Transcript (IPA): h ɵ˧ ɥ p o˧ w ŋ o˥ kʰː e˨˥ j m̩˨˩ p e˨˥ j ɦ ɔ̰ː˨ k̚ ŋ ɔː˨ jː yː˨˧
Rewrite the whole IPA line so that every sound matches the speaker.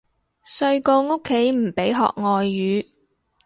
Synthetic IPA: s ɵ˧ ɥ k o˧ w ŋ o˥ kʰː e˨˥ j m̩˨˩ p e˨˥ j ɦ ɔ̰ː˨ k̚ ŋ ɔː˨ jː yː˨˧